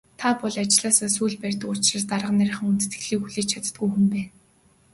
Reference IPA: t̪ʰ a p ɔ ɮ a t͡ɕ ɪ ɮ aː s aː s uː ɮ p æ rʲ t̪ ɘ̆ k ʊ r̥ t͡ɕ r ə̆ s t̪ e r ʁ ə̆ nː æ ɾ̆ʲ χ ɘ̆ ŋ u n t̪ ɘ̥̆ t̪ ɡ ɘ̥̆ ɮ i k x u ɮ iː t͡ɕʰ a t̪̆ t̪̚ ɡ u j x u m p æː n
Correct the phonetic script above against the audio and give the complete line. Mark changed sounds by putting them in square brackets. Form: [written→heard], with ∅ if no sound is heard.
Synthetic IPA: t̪ʰ a p ɔ ɮ a t͡ɕ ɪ ɮ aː s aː s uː ɮ p æ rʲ t̪ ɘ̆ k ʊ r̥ t͡ɕ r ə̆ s t̪ [e→a] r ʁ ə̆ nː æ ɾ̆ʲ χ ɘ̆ ŋ u n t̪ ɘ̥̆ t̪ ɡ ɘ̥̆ ɮ [i→iː] k x u ɮ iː t͡ɕʰ a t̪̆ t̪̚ ɡ u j x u m p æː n